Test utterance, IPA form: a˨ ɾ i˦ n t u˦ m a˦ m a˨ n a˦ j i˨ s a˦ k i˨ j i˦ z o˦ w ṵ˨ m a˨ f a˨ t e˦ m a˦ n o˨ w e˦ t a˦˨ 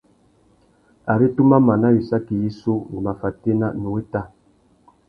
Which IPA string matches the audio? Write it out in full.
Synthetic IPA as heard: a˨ ɾ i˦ t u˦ m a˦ m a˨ n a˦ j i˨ s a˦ k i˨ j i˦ s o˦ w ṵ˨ m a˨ f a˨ t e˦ n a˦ n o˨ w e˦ t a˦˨

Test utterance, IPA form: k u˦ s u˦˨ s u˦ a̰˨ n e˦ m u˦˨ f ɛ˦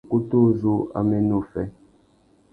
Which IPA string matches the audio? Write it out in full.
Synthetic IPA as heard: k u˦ t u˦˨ z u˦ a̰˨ m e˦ n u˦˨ f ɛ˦

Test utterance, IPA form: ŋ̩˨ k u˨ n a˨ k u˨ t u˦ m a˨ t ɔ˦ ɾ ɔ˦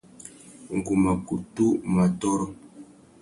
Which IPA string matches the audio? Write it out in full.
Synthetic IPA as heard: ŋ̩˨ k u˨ m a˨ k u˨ t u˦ m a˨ t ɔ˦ ɾ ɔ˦

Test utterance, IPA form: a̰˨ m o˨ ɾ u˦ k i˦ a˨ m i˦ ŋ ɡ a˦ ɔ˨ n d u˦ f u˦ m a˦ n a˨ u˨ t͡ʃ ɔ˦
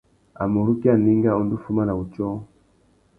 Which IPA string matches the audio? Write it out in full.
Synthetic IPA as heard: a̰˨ m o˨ ɾ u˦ k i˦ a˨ n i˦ ŋ ɡ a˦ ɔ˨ n d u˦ f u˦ m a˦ n a˨ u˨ t͡ʃ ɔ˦

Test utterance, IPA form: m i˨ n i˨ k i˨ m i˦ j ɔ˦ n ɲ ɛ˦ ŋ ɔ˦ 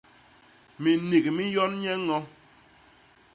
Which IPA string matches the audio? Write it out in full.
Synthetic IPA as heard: m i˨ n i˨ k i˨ m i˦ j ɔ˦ n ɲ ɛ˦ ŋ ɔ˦

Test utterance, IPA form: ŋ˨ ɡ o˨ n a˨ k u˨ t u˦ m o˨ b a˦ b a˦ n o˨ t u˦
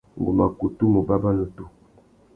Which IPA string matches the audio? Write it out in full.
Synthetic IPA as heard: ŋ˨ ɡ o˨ m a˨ k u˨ t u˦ m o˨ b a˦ b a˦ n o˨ t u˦

